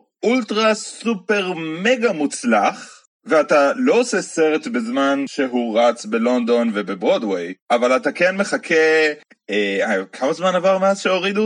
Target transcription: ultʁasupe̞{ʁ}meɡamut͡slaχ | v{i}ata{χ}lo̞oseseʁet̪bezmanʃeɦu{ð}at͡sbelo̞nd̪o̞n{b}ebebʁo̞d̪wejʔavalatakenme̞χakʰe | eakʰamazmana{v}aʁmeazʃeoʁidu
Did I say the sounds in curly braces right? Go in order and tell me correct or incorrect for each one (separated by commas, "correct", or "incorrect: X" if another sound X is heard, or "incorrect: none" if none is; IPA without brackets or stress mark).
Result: correct, incorrect: e, incorrect: none, incorrect: ʁ, incorrect: v, correct